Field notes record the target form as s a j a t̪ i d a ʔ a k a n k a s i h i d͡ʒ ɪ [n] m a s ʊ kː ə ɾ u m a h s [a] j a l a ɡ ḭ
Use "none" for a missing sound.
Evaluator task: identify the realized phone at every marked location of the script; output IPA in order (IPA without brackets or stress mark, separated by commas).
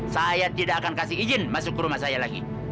n, a